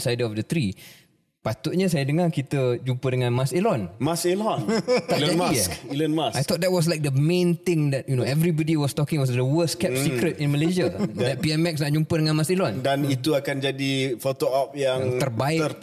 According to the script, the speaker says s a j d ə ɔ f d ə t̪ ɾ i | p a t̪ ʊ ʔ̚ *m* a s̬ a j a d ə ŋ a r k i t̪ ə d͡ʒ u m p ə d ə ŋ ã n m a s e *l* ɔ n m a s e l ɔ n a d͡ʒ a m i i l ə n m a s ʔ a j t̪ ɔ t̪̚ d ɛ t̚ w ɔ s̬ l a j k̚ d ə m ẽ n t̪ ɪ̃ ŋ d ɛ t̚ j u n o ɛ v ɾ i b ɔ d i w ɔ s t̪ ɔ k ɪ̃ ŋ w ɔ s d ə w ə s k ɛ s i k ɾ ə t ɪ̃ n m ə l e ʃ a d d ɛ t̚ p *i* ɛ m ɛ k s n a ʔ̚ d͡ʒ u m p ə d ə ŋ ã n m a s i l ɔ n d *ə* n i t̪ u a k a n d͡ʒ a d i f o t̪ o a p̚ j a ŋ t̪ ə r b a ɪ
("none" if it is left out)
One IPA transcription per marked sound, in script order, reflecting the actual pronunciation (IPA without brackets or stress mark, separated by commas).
ɲ, l, i, a